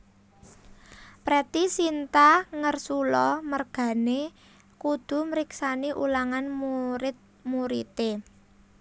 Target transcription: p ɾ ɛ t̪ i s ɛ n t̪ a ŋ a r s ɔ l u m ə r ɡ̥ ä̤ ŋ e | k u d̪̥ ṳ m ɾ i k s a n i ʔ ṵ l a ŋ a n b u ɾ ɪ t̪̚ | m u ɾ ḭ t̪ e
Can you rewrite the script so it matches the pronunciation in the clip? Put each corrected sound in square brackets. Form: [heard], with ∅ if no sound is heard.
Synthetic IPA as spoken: p ɾ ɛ t̪ i s [i] n t̪ a ŋ [ə] r s [u] l [ɔ] m ə r ɡ̥ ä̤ [n] e | k u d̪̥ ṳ m ɾ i k s a n i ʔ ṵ l a ŋ a n [m] u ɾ ɪ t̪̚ | m u ɾ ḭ t̪ e